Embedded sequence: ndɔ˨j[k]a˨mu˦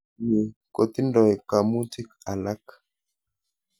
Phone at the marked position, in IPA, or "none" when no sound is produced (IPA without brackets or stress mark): k